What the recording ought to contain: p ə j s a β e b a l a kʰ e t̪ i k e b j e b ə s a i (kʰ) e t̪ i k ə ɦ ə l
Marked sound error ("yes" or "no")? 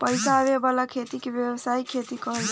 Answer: no